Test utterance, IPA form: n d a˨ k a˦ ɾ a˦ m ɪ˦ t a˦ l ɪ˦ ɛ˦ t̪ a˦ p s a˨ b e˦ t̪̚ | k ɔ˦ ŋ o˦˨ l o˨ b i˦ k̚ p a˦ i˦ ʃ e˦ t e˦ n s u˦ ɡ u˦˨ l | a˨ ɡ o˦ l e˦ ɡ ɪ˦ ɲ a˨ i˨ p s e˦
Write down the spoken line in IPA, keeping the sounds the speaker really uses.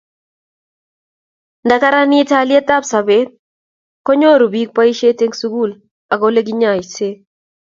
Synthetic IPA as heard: n d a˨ k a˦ ɾ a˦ n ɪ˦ t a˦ l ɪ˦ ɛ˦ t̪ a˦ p s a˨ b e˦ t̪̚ | k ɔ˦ ɲ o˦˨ ɾ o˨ b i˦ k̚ p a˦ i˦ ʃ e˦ t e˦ ŋ s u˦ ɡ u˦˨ l | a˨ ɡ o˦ l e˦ ɡ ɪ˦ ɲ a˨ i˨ s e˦